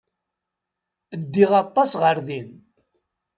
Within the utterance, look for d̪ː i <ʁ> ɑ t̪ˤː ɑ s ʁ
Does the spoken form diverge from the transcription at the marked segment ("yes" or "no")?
no